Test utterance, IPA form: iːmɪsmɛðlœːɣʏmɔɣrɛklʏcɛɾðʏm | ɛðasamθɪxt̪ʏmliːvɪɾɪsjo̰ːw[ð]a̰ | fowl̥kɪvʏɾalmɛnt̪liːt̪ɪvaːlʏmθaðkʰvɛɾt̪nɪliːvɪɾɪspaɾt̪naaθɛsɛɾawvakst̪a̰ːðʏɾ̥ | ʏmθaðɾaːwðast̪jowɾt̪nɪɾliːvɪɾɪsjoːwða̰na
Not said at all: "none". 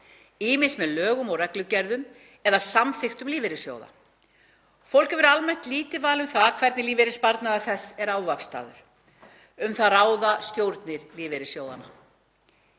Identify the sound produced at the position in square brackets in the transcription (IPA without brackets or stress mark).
ð